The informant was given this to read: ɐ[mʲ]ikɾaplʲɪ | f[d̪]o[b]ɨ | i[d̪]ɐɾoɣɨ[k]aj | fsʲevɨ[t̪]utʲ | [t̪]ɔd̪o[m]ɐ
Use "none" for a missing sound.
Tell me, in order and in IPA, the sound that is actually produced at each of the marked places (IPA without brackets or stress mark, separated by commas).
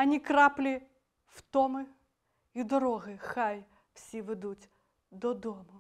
nʲ, t̪, m, d̪, x, d̪, d̪, m